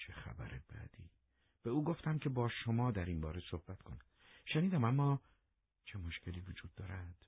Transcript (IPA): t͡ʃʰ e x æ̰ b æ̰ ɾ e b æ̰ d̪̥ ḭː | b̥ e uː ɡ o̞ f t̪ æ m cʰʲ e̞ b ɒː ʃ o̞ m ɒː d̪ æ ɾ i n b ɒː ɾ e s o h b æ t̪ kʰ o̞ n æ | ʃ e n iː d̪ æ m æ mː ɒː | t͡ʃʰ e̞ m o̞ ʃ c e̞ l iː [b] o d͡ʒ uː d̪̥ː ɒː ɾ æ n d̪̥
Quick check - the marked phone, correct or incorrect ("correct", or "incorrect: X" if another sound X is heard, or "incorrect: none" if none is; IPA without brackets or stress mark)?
incorrect: v